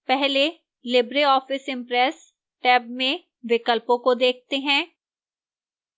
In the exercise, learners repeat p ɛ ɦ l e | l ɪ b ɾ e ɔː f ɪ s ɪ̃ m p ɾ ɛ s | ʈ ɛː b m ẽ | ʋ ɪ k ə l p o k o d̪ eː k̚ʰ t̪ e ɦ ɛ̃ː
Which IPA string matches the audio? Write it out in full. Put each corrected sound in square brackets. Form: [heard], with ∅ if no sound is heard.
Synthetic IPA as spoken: p ɛ ɦ l e | l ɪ b ɾ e ɔː f ɪ s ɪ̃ m p ɾ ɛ s | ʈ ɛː b m ẽ | ʋ ɪ k ə l p [õ] k o d̪ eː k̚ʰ t̪ e ɦ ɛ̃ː